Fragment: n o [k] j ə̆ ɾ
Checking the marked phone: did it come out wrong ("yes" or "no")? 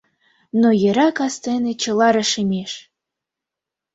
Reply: yes